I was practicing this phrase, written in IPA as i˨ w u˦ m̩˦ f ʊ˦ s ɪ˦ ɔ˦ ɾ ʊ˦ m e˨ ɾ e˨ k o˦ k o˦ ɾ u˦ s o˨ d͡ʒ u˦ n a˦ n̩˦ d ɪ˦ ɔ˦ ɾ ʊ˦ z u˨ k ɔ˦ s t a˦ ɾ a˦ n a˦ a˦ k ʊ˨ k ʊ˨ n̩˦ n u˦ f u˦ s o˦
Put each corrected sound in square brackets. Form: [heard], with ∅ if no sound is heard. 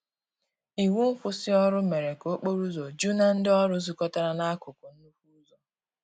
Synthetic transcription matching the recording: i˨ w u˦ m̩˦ f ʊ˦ s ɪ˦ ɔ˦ ɾ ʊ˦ m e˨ ɾ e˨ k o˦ [k͡p] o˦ ɾ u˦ [z] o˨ d͡ʒ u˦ n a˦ n̩˦ d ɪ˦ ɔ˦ ɾ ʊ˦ z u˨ k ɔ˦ [∅] t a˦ ɾ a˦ n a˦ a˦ k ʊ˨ k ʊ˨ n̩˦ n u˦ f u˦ [z] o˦